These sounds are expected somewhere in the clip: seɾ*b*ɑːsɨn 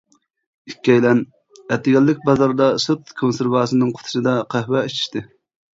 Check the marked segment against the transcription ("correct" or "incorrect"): incorrect